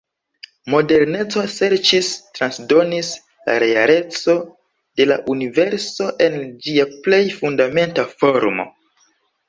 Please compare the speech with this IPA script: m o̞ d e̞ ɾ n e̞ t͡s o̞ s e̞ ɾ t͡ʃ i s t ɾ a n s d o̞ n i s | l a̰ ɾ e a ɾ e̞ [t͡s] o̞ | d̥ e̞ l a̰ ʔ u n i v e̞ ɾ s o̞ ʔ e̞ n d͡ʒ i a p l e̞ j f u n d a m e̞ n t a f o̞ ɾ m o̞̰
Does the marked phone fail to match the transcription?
no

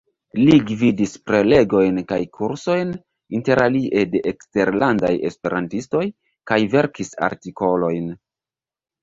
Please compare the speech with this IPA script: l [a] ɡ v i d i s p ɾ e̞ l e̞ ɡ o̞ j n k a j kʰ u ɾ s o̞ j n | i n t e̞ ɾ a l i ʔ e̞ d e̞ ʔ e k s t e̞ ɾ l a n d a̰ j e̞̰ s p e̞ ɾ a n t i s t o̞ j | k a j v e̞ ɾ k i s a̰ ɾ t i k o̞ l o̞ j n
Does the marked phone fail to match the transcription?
yes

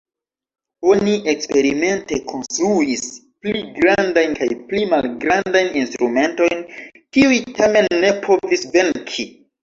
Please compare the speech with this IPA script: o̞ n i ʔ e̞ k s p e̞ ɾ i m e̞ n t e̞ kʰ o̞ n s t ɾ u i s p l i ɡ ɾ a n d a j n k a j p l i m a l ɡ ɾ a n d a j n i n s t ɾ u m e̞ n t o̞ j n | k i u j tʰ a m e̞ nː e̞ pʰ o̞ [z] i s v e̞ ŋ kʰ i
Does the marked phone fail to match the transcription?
yes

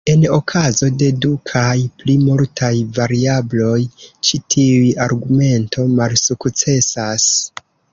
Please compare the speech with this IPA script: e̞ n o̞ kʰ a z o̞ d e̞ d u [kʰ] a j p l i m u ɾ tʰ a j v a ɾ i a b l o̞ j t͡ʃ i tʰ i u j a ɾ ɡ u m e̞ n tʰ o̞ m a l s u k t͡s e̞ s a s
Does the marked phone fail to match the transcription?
no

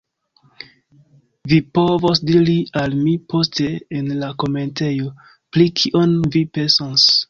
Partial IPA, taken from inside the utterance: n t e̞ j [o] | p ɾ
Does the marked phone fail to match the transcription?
no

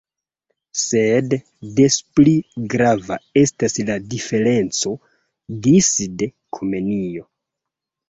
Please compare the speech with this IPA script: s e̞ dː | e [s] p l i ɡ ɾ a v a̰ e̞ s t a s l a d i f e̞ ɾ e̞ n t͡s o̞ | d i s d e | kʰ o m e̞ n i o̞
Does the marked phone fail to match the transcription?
no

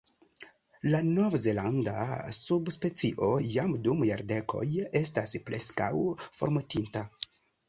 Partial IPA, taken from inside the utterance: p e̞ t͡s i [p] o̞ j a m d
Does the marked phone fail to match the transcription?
yes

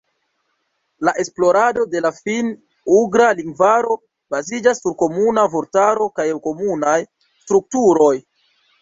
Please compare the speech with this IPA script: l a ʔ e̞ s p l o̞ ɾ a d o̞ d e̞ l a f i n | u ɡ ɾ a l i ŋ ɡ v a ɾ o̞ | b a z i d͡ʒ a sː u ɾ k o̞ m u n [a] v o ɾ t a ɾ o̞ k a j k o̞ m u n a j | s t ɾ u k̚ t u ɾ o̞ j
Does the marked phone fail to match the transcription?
no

